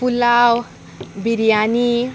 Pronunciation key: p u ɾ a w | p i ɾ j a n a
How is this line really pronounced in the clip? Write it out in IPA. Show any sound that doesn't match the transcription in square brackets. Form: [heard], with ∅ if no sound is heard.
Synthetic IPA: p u [l] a w | [b] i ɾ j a n [i]

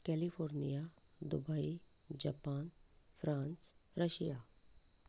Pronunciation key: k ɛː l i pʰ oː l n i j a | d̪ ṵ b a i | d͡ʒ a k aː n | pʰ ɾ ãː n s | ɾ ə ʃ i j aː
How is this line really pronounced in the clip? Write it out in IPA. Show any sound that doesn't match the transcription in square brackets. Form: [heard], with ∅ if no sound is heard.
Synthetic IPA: k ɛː l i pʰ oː [ɾ] n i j a | d̪ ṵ b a i | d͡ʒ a [p] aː n | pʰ ɾ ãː n s | ɾ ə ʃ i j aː

